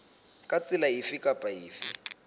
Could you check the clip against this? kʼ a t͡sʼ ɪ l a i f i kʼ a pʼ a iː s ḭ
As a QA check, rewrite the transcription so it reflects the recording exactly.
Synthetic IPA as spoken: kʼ a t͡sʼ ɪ l a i f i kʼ a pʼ a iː f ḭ